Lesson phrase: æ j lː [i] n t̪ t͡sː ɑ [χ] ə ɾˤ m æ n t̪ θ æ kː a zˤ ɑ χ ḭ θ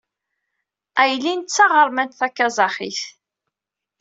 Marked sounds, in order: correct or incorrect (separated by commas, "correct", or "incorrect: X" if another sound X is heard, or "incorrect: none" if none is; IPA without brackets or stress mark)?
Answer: correct, incorrect: ʁ